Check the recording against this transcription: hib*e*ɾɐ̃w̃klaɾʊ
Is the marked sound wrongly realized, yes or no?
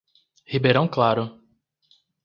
no